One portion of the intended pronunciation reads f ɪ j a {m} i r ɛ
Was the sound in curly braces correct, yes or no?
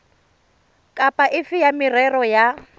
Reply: yes